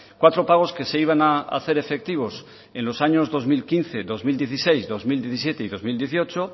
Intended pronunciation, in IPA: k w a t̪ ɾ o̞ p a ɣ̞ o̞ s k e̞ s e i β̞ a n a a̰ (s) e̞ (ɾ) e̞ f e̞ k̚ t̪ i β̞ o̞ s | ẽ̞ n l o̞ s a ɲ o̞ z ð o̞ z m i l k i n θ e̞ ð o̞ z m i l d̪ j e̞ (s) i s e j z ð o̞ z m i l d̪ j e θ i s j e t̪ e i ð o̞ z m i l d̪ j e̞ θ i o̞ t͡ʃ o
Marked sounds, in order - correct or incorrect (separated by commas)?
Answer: incorrect, correct, incorrect